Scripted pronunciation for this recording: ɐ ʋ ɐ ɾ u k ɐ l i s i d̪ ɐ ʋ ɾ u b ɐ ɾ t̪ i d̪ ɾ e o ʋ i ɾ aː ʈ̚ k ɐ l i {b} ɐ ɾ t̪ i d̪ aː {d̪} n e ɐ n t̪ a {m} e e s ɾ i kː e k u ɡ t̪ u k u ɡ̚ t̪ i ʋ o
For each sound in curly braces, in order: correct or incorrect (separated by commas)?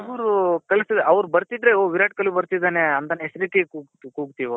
correct, incorrect, incorrect